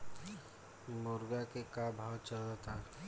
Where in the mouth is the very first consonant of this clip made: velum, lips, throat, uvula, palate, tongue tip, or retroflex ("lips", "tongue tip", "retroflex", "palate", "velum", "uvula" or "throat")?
lips